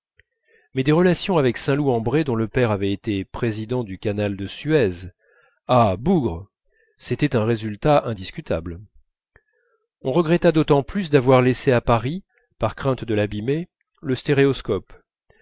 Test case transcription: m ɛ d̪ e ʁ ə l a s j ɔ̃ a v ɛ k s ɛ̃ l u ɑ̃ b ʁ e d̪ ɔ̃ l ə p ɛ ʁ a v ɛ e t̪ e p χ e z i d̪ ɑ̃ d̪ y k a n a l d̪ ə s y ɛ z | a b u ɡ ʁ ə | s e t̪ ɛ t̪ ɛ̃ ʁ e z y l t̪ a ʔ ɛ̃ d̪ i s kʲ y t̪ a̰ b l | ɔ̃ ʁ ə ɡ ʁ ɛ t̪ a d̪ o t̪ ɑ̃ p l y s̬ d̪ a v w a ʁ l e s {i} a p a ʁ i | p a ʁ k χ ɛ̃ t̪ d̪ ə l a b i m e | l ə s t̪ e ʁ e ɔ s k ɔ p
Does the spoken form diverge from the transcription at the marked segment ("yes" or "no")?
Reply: yes